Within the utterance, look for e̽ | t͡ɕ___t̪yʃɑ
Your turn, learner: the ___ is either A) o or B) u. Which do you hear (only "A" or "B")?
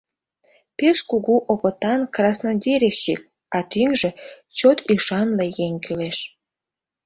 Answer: A